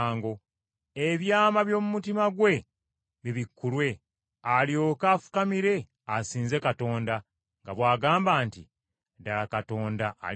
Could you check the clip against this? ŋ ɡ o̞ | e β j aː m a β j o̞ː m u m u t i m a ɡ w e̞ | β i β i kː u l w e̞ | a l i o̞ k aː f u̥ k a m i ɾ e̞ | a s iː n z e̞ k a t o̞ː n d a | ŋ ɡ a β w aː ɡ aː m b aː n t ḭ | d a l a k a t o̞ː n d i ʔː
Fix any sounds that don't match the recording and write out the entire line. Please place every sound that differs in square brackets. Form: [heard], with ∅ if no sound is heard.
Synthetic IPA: ŋ ɡ o̞ | e β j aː m a β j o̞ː m u m u t i m a ɡ w e̞ | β i β i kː u l w e̞ | a l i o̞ k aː f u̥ k a m i ɾ e̞ | a s iː n z e̞ k a t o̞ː n d a | ŋ ɡ a β w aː ɡ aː m b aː n t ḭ | d a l a k a t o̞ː n d [a] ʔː